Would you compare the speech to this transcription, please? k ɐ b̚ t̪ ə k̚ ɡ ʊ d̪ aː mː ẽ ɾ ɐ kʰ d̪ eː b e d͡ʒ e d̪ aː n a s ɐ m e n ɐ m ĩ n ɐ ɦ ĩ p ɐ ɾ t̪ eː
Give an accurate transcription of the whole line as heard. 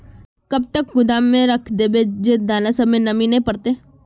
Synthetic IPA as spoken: k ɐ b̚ t̪ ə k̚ ɡ ʊ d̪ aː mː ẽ ɾ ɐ kʰ d̪ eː b e d͡ʒ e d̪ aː n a s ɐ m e n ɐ m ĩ n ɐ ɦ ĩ p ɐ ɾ t̪ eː